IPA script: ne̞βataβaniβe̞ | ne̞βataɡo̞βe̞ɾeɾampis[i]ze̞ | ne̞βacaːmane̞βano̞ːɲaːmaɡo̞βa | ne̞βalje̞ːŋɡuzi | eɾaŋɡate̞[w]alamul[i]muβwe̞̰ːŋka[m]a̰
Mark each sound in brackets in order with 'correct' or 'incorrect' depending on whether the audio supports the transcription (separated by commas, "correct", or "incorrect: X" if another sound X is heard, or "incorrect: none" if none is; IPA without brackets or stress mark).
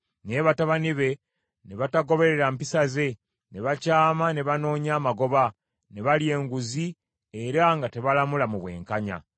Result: incorrect: a, incorrect: β, incorrect: a, incorrect: ɲ